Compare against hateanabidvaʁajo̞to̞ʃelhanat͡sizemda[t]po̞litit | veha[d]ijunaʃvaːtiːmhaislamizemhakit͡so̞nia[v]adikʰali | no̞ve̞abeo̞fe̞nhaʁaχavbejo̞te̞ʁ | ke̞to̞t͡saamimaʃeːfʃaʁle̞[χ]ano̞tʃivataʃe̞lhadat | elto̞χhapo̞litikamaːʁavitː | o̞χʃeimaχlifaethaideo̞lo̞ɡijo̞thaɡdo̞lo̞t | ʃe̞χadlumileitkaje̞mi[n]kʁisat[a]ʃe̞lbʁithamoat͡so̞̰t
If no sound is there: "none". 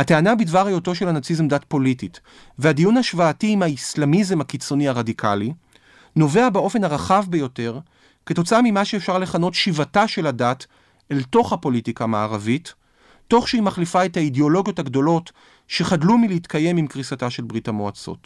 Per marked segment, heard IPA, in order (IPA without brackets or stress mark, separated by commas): t, d, ʁ, χ, m, a